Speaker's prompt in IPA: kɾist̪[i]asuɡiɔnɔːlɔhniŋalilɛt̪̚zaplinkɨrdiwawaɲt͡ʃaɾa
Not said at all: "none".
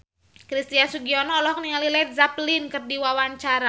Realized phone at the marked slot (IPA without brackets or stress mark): i